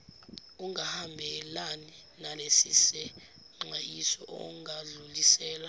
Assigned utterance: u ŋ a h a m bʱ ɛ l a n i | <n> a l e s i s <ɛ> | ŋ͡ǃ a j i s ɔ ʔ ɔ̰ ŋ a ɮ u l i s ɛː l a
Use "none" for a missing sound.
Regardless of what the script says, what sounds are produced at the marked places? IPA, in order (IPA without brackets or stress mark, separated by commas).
n, ɛ